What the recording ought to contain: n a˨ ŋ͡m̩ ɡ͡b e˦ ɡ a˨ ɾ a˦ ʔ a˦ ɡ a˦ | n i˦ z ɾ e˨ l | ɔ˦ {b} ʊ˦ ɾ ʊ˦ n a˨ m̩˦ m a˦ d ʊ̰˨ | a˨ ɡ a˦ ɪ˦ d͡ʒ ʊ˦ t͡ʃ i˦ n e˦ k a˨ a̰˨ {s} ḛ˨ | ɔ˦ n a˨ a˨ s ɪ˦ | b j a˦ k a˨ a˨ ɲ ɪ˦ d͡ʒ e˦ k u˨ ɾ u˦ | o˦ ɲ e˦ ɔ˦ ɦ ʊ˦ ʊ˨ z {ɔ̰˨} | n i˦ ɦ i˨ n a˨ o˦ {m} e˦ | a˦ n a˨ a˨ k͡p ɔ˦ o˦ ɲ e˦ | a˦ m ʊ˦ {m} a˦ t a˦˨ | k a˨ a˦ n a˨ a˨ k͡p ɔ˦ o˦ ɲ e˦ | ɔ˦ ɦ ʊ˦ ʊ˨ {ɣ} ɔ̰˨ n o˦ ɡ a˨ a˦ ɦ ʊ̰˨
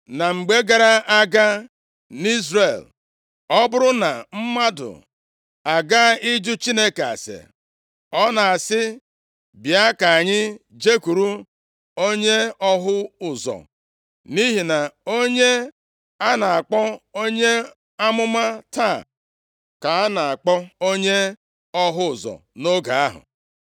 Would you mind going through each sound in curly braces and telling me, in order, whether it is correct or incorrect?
correct, correct, correct, incorrect: ɲ, correct, incorrect: z

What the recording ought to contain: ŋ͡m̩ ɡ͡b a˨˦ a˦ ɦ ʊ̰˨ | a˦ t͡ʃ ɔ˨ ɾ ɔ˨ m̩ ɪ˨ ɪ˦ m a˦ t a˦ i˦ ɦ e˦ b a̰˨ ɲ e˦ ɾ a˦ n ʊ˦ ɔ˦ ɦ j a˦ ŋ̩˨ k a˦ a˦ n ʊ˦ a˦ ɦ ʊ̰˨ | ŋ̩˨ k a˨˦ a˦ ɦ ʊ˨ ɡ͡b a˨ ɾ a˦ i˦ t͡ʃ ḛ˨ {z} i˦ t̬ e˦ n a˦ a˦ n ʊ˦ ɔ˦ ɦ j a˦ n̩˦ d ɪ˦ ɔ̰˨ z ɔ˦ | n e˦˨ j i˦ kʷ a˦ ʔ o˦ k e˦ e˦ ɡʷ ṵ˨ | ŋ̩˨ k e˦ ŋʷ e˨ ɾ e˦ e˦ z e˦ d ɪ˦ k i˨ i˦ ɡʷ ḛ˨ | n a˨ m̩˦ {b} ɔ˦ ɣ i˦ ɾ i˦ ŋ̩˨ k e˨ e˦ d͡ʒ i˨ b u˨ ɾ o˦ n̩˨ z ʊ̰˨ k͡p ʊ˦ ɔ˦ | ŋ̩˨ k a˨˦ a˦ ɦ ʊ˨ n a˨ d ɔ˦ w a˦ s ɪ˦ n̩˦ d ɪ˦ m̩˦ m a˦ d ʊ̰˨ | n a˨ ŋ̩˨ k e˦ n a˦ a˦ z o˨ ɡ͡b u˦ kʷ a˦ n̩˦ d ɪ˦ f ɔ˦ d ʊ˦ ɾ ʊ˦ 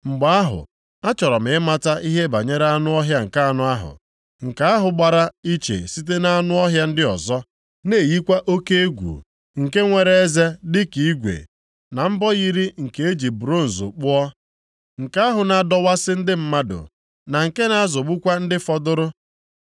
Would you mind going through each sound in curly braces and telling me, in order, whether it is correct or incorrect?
incorrect: s, correct

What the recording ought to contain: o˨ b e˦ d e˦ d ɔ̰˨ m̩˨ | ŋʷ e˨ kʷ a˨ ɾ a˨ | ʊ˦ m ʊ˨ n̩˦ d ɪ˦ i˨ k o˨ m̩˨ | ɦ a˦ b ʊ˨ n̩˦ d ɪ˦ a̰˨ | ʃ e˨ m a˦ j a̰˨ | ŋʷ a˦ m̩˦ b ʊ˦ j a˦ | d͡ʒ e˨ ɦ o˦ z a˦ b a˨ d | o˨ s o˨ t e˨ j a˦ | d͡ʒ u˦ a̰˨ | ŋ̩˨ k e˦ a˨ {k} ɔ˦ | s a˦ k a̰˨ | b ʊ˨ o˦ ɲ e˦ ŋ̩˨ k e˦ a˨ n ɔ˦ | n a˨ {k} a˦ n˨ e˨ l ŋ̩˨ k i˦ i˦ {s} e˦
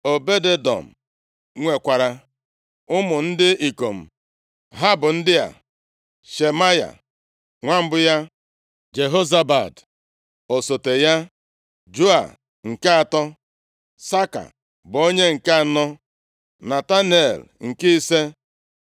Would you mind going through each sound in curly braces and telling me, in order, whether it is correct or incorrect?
incorrect: t, incorrect: t, correct

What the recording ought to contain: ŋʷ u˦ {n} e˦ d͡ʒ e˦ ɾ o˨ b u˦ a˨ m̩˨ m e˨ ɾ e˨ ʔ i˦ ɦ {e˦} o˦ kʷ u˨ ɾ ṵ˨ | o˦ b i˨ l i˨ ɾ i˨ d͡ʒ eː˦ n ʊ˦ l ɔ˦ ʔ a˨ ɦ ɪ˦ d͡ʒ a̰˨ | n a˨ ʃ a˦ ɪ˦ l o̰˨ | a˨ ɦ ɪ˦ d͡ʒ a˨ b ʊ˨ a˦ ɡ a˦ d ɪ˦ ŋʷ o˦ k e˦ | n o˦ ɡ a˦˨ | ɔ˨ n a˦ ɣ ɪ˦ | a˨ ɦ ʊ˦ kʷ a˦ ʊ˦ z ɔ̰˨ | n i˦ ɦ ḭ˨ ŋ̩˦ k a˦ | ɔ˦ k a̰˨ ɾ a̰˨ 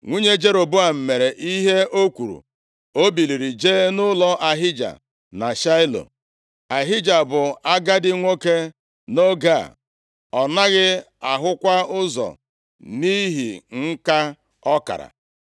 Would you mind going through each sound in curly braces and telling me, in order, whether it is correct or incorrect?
incorrect: ɲ, correct

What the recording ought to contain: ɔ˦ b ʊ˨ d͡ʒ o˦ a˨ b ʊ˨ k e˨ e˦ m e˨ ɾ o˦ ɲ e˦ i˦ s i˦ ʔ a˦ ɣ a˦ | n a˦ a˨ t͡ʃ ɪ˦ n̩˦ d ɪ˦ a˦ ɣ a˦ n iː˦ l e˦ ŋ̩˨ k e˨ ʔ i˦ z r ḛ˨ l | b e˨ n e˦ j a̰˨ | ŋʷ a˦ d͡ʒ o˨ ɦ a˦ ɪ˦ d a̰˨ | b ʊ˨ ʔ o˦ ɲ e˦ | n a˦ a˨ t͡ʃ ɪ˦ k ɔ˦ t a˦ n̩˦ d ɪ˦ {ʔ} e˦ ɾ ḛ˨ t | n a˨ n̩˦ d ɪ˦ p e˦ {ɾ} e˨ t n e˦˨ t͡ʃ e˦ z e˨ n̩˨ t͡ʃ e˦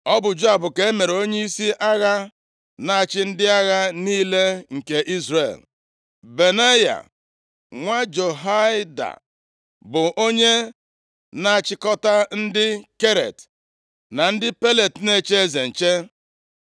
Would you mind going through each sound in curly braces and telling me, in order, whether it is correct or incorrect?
incorrect: k, incorrect: l

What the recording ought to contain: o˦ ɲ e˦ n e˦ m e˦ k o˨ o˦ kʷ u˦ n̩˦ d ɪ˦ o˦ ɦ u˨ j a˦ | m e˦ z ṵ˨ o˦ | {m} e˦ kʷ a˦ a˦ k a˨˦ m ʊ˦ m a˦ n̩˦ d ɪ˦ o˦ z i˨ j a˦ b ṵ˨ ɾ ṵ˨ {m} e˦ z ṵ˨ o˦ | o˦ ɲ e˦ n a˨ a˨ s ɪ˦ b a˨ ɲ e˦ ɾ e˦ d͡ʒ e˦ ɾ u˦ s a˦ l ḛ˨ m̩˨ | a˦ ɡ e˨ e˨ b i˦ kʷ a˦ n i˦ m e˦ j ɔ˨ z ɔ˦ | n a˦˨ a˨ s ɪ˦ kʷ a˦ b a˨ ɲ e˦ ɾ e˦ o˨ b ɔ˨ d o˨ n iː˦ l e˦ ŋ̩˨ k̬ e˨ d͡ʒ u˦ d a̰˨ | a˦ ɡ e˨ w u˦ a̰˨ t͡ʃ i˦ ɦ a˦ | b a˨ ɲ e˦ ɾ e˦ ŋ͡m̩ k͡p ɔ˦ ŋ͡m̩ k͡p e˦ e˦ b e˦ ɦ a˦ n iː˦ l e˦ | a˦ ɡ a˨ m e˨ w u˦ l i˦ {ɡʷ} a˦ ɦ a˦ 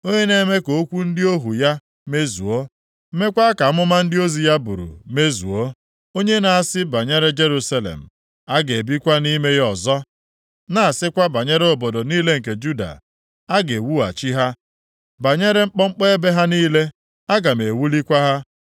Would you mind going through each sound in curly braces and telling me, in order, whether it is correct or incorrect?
correct, correct, incorrect: kʷ

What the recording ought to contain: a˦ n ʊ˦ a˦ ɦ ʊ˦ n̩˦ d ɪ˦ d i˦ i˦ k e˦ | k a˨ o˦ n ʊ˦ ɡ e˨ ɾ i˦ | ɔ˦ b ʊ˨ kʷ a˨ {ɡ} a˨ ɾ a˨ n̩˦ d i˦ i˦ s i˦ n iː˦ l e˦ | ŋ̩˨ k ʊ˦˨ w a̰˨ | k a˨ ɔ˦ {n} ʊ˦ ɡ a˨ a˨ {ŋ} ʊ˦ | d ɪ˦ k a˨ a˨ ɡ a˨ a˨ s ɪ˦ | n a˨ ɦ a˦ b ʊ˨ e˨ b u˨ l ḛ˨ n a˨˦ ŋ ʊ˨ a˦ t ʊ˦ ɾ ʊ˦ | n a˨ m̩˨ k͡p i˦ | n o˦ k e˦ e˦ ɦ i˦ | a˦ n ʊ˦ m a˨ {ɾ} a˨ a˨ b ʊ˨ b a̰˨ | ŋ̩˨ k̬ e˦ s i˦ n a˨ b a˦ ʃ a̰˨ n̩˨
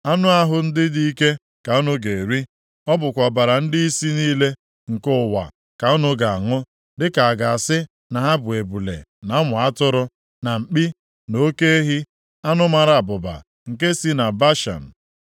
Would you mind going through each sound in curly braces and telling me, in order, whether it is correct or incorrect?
incorrect: b, correct, correct, correct

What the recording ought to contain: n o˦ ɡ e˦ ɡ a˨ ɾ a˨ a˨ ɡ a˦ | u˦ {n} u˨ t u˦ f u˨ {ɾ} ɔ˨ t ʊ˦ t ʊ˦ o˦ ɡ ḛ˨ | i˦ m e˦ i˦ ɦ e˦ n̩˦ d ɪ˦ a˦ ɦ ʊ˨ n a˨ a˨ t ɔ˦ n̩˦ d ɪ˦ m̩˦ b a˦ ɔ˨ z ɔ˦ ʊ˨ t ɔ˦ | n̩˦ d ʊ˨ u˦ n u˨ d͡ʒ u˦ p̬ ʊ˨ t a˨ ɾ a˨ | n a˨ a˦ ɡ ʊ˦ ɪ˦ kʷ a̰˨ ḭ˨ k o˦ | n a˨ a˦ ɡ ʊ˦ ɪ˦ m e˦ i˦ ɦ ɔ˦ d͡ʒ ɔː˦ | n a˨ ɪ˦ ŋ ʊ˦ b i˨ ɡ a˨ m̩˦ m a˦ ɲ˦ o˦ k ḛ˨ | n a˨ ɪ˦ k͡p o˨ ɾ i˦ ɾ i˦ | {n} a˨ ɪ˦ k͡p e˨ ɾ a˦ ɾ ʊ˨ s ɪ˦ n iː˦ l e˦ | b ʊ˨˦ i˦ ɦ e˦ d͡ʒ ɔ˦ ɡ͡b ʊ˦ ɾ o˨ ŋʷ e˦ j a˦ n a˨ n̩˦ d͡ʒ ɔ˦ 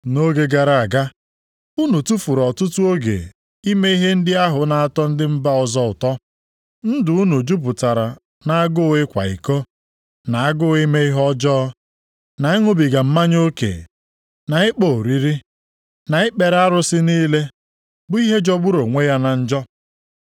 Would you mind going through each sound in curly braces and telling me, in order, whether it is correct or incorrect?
correct, correct, correct

